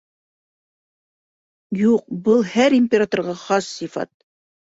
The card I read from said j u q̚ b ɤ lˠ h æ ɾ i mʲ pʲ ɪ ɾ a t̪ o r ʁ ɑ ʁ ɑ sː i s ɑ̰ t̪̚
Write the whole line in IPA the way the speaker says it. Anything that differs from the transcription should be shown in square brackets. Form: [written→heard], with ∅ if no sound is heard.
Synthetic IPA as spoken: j u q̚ b ɤ lˠ h æ ɾ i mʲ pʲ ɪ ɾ a t̪ o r ʁ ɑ [ʁ→χ] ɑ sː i [s→f] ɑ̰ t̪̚